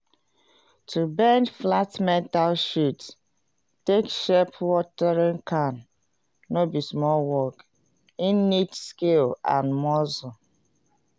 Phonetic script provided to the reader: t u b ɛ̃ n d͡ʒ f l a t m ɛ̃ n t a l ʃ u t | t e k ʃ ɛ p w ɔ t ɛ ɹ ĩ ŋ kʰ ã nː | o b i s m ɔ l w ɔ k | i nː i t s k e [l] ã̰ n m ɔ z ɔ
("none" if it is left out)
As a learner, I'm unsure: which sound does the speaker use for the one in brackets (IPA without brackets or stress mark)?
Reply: l